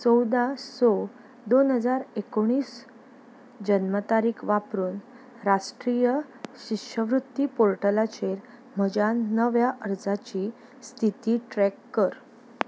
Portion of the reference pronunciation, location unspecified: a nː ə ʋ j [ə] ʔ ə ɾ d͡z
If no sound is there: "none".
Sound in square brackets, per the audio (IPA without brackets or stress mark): a